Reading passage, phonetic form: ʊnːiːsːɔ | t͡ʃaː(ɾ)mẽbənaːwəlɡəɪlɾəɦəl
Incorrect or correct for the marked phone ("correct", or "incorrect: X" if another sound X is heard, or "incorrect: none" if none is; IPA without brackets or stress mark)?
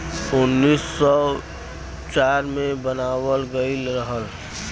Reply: correct